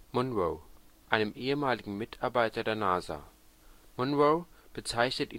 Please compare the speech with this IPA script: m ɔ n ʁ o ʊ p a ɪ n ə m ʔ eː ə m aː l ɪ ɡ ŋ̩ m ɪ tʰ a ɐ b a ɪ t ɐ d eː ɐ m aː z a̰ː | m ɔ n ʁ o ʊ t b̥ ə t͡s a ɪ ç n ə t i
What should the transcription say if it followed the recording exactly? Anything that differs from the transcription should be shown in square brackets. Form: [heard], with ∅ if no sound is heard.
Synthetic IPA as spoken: m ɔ n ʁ o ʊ [ʔ] a ɪ n ə m ʔ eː ə m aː l ɪ ɡ ŋ̩ m ɪ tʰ a ɐ b a ɪ t ɐ d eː ɐ [n] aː z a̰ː | m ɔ n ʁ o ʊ [∅] b̥ ə t͡s a ɪ ç n ə t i